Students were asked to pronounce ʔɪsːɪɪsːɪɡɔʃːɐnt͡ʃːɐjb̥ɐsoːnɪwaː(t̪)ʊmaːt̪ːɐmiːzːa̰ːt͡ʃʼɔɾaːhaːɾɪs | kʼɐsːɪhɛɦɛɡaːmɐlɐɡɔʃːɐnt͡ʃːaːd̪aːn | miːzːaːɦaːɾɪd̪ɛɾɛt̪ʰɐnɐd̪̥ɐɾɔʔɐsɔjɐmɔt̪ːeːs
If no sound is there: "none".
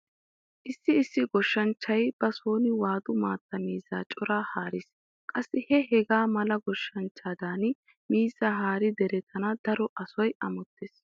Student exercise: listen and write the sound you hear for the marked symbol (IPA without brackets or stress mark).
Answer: d̪